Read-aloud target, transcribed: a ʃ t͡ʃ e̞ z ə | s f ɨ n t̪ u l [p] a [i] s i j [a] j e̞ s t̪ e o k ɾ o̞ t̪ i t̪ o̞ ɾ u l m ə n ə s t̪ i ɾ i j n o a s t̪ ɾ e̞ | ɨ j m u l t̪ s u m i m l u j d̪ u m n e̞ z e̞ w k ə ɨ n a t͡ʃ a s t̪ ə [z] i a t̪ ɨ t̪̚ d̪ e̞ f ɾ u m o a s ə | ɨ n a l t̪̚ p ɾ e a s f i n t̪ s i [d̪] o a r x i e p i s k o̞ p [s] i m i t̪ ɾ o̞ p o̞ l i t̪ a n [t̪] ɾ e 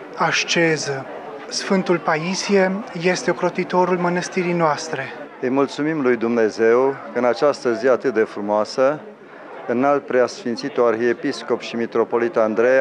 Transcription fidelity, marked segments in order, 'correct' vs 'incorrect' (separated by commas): correct, correct, incorrect, correct, incorrect, incorrect, incorrect